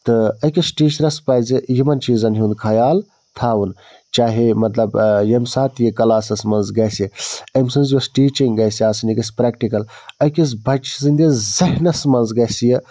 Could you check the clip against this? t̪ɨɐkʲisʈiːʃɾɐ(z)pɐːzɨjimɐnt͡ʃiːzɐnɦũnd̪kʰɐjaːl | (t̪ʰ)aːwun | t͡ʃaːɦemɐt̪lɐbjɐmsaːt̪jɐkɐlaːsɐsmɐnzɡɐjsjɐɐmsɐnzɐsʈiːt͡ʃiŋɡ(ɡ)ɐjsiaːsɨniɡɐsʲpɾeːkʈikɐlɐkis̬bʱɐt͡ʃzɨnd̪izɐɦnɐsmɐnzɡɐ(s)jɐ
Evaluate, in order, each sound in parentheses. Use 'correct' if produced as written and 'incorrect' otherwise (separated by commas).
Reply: incorrect, correct, correct, correct